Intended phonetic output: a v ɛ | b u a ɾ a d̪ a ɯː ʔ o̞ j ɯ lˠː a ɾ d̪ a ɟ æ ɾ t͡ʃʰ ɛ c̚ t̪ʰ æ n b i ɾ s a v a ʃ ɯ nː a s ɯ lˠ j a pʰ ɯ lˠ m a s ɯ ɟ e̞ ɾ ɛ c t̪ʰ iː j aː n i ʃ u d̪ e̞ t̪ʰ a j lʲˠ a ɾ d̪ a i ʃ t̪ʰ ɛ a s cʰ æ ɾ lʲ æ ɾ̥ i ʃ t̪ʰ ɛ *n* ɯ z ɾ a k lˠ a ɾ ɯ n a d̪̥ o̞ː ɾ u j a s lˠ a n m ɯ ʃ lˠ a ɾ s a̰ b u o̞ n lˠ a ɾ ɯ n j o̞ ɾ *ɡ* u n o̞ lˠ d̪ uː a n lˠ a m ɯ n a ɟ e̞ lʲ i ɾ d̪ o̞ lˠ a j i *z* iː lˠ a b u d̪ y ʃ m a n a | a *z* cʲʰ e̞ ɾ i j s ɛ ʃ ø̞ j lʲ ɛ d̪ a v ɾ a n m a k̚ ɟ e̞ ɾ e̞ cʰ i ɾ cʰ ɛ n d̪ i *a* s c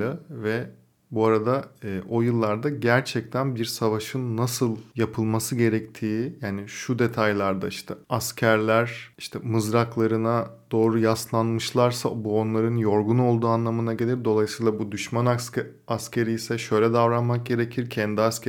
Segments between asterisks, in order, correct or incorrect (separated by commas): incorrect, correct, incorrect, incorrect, correct